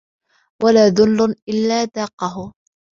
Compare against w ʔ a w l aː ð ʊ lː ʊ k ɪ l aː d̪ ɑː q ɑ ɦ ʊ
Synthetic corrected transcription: w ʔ a l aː ð ʊ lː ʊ ʔ ɪ lː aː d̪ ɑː q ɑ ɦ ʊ